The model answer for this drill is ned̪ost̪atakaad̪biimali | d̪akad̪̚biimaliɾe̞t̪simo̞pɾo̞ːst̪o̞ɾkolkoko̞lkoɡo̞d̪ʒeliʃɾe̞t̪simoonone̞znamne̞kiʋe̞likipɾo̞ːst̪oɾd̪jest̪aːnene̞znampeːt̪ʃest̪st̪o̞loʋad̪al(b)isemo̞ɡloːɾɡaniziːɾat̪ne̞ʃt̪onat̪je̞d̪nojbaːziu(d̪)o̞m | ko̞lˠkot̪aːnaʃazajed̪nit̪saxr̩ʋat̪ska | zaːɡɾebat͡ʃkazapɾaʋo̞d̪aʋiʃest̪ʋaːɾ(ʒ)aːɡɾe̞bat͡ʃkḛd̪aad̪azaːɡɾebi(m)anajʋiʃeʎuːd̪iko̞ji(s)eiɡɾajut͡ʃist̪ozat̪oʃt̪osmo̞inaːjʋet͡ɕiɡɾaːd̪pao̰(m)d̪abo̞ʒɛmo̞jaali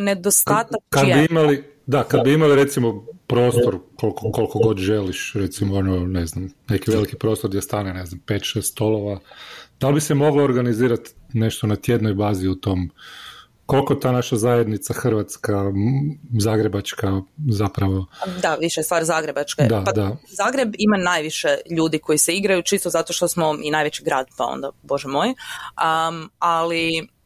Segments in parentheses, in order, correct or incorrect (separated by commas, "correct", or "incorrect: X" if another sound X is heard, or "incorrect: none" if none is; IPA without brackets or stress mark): correct, incorrect: t̪, incorrect: z, correct, correct, incorrect: n